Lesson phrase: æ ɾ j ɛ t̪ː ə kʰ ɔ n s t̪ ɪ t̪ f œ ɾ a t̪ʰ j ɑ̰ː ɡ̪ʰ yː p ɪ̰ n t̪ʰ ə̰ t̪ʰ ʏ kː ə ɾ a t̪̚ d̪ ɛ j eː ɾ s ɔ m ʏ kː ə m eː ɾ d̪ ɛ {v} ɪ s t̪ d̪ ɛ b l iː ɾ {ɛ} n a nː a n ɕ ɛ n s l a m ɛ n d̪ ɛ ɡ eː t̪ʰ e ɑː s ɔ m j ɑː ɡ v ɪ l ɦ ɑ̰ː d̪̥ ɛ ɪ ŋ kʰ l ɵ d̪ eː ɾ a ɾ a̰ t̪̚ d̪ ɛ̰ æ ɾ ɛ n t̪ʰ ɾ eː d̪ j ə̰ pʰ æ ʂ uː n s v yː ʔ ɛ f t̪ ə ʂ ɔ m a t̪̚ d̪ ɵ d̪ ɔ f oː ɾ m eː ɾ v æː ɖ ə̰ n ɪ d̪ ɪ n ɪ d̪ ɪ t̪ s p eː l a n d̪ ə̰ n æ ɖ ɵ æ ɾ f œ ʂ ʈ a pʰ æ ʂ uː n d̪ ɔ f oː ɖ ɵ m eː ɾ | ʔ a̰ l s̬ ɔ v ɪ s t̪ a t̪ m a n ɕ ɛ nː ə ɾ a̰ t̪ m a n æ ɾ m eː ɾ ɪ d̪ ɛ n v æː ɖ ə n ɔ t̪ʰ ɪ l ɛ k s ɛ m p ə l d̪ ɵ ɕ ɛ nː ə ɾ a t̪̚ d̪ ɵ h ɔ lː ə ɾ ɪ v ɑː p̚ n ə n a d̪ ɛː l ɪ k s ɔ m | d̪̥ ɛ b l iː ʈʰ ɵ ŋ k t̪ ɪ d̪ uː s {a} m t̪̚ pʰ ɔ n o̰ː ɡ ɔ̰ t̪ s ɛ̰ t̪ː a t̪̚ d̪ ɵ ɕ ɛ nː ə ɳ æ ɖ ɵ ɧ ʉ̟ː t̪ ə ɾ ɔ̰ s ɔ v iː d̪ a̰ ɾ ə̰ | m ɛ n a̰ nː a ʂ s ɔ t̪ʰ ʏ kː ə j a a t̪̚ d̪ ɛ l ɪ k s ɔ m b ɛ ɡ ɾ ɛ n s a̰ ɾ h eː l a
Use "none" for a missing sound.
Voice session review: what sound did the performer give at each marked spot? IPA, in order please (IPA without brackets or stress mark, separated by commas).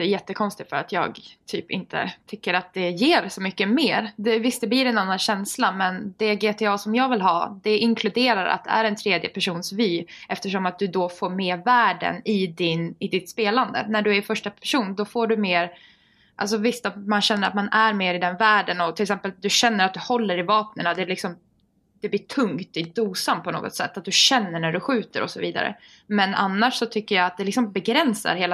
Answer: v, ɛ, a